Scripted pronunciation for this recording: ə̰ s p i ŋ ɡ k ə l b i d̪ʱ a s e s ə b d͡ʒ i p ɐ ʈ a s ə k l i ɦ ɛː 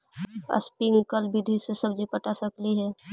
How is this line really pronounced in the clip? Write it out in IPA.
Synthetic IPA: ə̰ s p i ŋ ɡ k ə l b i d̪ʱ i s e s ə b d͡ʒ i p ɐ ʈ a s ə k l i ɦ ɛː